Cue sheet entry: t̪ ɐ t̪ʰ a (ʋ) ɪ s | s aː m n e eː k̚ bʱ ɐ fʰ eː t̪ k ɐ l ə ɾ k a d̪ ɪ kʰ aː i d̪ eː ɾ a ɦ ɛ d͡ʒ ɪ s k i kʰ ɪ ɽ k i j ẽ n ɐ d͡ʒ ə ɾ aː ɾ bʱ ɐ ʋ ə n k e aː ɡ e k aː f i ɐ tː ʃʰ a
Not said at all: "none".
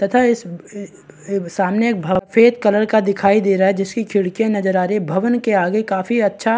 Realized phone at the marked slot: none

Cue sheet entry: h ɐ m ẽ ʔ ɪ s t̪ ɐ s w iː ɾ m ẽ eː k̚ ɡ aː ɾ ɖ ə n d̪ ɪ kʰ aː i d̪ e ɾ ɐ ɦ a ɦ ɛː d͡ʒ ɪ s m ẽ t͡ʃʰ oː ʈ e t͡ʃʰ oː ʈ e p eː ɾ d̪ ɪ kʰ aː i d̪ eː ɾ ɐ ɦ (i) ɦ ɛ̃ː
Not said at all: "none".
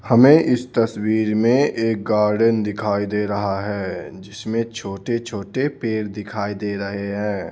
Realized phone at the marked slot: e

